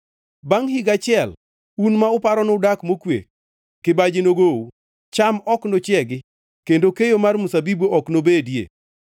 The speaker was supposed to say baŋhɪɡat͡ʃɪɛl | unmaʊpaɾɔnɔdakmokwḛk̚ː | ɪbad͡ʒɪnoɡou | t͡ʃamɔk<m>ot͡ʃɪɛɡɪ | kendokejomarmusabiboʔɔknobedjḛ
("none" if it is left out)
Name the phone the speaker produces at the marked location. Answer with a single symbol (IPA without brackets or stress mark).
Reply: n